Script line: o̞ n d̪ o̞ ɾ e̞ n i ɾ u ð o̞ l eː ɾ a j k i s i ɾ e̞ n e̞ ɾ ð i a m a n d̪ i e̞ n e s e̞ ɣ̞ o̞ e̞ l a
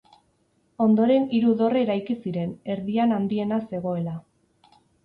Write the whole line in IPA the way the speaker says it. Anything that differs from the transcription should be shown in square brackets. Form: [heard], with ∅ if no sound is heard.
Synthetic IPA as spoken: o̞ n d̪ o̞ ɾ e̞ n i ɾ u ð o̞ [r] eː ɾ a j k i s i ɾ e̞ n e̞ ɾ ð i a [n] a n d̪ i e̞ n [a] s e̞ ɣ̞ o̞ e̞ l a